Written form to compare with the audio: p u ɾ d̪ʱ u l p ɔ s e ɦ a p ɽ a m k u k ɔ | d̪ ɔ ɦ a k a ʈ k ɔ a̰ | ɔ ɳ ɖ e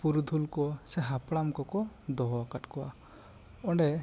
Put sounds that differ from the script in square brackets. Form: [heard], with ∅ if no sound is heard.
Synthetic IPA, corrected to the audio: p u ɾ d̪ʱ u l [k] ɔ s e ɦ a p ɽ a m k [ɔ] k ɔ | d̪ ɔ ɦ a k a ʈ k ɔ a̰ | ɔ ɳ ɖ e